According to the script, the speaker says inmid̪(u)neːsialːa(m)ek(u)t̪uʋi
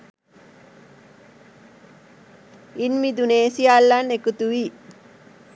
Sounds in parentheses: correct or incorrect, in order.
correct, incorrect, correct

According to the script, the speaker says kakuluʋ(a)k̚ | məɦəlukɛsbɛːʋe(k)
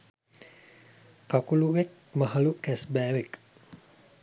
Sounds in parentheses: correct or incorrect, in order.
incorrect, correct

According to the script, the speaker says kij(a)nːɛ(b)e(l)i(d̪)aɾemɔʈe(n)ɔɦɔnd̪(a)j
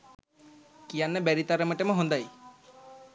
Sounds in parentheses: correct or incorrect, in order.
correct, correct, incorrect, incorrect, incorrect, correct

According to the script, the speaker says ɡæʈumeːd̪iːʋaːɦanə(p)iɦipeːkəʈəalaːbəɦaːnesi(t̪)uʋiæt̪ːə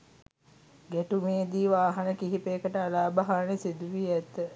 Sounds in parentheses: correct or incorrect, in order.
incorrect, incorrect

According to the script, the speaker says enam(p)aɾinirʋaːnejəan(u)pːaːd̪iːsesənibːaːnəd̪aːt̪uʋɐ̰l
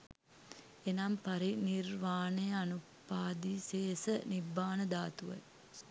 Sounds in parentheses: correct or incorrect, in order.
correct, correct

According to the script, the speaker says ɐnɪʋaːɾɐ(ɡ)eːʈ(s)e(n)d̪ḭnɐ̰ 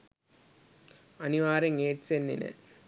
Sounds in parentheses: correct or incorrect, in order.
incorrect, correct, correct

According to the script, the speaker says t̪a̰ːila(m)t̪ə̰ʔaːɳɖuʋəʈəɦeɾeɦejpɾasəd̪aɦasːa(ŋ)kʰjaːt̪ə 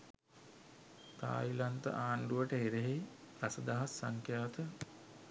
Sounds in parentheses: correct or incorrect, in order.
incorrect, correct

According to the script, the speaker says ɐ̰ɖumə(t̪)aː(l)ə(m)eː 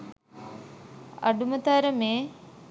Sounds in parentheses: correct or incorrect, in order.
correct, incorrect, correct

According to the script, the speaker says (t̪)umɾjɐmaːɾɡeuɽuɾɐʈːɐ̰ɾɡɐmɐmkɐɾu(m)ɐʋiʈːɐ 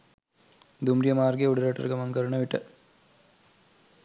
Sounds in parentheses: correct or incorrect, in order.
incorrect, incorrect

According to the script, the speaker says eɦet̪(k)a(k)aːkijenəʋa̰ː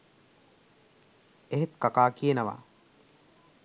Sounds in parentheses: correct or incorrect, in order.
correct, correct

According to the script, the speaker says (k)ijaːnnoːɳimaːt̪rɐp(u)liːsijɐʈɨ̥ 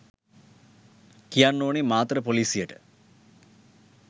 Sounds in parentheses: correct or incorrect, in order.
correct, incorrect

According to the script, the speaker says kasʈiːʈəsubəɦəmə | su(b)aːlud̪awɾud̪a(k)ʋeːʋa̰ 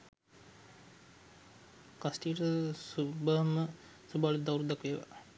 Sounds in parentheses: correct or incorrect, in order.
correct, correct

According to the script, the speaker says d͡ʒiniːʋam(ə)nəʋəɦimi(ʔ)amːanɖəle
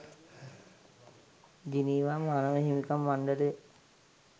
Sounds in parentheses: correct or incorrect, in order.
incorrect, incorrect

